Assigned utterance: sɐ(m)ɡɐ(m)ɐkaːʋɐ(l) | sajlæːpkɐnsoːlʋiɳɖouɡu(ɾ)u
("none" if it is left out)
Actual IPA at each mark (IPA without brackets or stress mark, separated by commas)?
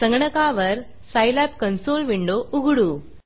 ŋ, ɳ, ɾ, ɽ